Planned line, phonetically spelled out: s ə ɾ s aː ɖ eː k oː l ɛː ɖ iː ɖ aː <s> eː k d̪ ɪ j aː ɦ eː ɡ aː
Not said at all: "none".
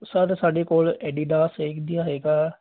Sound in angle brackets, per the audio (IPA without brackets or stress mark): s